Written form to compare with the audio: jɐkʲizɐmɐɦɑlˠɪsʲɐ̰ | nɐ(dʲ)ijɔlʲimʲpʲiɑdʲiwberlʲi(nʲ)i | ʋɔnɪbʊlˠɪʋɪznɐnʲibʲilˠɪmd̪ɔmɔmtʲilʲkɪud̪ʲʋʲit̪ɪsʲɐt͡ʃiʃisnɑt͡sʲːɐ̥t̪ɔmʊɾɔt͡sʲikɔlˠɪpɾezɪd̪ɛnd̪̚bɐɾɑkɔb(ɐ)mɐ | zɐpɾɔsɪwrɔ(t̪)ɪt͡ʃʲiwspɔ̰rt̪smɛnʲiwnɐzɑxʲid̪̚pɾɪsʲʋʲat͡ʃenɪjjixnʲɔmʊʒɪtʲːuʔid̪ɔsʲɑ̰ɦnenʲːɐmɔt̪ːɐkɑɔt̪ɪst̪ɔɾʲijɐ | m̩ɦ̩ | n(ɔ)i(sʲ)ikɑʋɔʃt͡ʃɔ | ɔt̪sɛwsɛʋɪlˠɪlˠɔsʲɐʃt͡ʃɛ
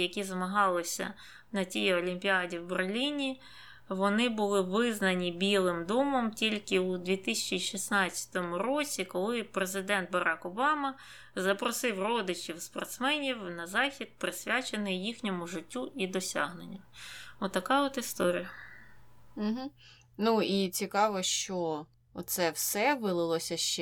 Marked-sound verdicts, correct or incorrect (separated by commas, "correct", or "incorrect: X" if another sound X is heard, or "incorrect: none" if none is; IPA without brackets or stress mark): incorrect: tʲ, correct, incorrect: ɑ, incorrect: d̪, incorrect: u, incorrect: t͡sʲ